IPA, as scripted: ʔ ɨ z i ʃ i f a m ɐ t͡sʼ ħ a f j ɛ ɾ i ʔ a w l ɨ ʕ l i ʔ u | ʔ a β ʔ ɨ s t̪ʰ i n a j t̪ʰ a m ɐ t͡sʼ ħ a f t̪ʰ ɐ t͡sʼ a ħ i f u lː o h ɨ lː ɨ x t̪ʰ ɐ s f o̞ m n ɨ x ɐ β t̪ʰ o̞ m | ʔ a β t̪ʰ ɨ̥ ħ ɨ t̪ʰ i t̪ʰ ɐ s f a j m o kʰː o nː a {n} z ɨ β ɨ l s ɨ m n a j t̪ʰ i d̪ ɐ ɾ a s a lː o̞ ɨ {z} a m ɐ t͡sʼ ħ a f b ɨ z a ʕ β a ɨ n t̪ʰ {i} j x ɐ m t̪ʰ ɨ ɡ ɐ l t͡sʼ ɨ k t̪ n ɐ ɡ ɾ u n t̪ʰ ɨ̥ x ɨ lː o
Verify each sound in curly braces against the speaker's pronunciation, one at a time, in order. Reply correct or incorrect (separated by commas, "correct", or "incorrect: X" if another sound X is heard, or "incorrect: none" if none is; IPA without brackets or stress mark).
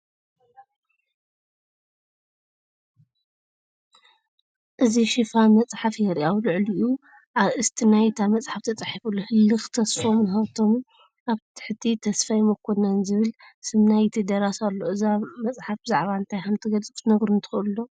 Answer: correct, correct, incorrect: a